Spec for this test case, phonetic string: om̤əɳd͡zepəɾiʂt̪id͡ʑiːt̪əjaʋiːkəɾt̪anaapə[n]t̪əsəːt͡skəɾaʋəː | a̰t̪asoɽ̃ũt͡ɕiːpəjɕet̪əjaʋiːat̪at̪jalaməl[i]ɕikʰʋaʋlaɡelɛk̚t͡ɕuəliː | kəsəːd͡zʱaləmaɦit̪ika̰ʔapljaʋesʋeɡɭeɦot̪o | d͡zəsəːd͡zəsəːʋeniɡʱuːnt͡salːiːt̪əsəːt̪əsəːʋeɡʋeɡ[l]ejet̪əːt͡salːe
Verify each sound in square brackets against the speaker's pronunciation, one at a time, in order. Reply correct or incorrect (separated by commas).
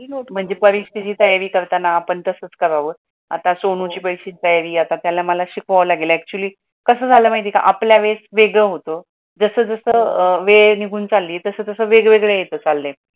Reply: incorrect, incorrect, incorrect